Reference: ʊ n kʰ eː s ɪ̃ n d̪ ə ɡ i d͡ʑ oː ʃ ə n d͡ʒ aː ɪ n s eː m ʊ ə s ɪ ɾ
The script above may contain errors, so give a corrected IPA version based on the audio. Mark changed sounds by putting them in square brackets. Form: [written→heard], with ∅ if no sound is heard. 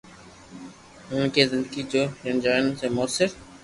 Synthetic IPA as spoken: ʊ n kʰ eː [s→z] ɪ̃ n d̪ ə ɡ i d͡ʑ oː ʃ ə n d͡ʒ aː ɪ n s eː m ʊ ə s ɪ ɾ